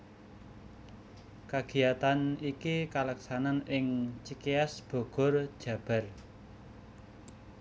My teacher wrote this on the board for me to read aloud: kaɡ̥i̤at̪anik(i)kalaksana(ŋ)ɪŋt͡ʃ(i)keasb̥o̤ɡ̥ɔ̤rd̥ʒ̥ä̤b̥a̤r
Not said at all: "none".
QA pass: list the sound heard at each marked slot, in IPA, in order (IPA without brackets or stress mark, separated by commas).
i, n, i